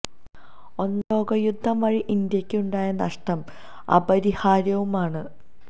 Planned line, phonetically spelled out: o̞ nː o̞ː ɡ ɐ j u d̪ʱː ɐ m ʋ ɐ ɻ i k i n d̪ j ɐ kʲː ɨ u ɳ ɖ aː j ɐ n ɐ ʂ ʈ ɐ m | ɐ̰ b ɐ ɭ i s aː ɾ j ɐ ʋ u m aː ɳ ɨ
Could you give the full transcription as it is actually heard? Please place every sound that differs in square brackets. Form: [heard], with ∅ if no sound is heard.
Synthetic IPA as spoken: o̞ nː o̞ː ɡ ɐ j u d̪ʱː ɐ m ʋ ɐ ɻ i [ʔ] i n d̪ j ɐ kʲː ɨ u ɳ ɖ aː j ɐ n ɐ ʂ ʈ ɐ m | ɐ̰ b ɐ [ɾ] i [h] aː ɾ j ɐ ʋ u m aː ɳ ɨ